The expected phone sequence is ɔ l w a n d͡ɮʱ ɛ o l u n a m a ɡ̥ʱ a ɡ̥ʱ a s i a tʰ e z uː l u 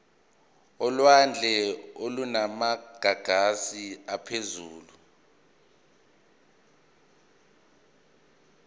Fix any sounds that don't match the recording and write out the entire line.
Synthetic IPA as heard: ɔ l w a n d͡ɮʱ ɛ o l u n a m a ɡ̥ʱ a ɡ̥ʱ a s i a pʰ e z uː l u